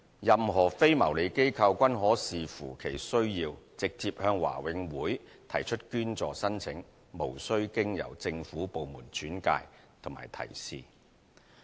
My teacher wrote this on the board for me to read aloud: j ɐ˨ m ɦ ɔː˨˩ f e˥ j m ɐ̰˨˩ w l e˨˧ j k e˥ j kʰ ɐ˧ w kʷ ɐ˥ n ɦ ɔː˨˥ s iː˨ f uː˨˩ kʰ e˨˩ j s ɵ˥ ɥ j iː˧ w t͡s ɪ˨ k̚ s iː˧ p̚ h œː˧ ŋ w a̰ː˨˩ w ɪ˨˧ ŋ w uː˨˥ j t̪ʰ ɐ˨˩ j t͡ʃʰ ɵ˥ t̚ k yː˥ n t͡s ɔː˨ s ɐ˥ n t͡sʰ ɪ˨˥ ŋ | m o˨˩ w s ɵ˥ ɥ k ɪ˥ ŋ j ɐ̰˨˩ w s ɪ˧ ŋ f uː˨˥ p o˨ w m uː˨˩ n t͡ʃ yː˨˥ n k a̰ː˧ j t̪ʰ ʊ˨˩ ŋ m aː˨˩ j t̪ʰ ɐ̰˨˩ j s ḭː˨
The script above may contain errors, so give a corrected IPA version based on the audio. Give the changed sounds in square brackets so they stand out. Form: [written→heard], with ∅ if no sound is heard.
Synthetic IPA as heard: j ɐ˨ m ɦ ɔː˨˩ f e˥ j m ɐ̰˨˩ w l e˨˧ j k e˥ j kʰ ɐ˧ w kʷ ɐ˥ n ɦ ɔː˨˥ s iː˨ f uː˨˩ kʰ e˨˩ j s ɵ˥ ɥ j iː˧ w t͡s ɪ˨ k̚ [s→t͡s] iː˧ p̚ h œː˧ ŋ w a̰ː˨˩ w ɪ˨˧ ŋ w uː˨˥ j t̪ʰ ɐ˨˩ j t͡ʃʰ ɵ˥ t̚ k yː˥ n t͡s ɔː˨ s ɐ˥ n t͡sʰ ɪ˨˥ ŋ | m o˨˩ w s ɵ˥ ɥ k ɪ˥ ŋ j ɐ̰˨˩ w [s→t͡s] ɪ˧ ŋ f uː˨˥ p o˨ w m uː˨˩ n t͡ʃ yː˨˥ n k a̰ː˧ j t̪ʰ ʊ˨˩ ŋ m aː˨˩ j t̪ʰ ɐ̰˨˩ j s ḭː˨